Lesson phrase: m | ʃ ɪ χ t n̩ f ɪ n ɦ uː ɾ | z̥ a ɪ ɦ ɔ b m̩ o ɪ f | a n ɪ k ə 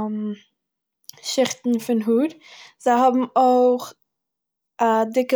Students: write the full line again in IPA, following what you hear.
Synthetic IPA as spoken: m | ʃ ɪ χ t n̩ f ɪ n ɦ uː ɾ | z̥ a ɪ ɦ ɔ b m̩ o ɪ χ | a d ɪ k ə